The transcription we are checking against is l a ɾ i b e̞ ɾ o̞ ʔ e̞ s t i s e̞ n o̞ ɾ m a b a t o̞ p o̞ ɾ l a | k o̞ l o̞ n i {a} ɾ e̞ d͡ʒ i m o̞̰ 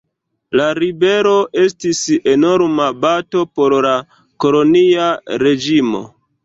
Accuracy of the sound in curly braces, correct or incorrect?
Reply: correct